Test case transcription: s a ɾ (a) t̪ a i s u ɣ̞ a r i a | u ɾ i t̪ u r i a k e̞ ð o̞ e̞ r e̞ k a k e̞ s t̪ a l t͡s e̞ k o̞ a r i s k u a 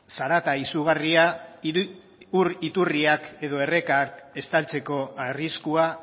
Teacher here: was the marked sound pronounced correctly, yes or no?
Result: yes